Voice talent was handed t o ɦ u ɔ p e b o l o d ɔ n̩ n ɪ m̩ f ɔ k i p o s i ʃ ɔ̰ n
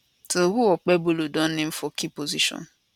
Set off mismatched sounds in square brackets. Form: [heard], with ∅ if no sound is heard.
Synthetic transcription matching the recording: t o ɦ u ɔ [k͡p] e b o l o d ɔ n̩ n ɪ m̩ f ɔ k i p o [z] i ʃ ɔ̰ n

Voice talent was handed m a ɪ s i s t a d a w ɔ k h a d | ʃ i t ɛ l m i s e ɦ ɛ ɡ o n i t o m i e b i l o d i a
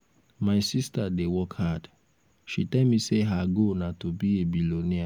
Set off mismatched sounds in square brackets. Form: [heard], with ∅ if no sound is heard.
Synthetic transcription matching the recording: m a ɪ s i s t a d [e] w ɔ k h a d | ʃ i t ɛ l m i s e ɦ [a] ɡ o n [a] t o [b] i e b i l o [n] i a

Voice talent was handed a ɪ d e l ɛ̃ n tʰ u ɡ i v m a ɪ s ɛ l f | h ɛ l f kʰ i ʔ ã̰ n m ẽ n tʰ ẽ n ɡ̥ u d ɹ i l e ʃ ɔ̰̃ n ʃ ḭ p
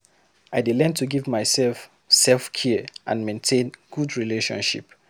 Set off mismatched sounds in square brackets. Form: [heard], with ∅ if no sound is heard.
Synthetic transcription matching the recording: a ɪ d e l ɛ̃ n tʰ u ɡ i v m a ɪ s ɛ l f | [s] ɛ l f kʰ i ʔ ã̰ n m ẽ n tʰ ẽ n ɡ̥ u d ɹ i l e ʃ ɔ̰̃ n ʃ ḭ p

